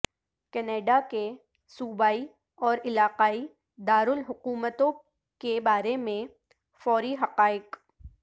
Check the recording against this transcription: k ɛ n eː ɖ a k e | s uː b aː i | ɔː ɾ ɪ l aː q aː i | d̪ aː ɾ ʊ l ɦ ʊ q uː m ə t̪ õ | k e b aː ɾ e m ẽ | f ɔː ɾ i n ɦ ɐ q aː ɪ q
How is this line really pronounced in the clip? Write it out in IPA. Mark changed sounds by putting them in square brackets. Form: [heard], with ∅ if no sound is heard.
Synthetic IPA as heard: k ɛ n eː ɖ a k e | s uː b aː i | ɔː ɾ ɪ l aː q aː i | d̪ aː ɾ ʊ l ɦ ʊ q uː m ə t̪ õ | k e b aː ɾ e m ẽ | f ɔː ɾ i [∅] ɦ ɐ q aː ɪ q